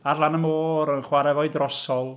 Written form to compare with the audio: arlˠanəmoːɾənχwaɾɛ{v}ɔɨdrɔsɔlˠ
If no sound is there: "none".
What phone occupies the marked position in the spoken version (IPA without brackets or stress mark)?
v